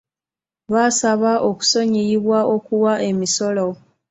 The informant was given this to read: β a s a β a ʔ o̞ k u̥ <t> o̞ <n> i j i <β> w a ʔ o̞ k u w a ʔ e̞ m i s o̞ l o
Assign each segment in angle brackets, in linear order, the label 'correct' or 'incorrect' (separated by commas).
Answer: incorrect, incorrect, correct